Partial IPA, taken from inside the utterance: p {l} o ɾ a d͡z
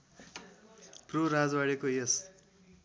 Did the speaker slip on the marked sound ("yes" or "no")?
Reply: yes